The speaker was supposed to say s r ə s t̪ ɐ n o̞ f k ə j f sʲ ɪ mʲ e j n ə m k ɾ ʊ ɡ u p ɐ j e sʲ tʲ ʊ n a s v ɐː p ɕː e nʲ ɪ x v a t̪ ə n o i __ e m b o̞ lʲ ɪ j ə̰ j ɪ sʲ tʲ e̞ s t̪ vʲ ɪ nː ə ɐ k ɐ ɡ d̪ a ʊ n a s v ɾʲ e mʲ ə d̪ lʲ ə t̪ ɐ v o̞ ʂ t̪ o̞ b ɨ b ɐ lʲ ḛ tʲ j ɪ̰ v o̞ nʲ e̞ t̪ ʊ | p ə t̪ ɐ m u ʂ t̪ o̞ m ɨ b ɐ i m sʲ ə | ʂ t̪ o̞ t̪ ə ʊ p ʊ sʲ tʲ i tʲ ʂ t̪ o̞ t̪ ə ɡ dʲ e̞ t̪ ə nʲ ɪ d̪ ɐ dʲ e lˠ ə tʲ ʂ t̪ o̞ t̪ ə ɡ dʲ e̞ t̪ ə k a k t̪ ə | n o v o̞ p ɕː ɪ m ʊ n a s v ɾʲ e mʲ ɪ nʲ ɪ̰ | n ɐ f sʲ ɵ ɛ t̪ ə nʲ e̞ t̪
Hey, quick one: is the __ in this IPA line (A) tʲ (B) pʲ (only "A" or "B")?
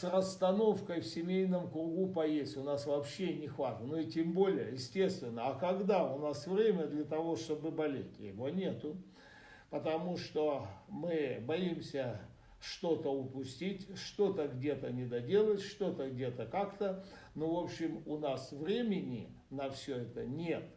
A